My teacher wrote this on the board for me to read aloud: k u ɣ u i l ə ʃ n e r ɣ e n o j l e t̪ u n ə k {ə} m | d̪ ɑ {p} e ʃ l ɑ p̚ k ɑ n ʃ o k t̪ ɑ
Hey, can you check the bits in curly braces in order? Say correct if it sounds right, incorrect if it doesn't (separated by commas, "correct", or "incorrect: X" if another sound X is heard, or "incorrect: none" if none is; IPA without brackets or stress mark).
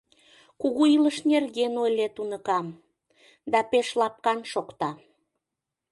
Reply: incorrect: ɑ, correct